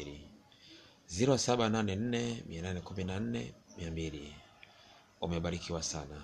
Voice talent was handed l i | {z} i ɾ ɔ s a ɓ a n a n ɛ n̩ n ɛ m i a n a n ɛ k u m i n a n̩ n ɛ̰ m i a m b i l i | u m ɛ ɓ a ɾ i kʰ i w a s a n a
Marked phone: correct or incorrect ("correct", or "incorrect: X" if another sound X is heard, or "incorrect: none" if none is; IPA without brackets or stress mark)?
correct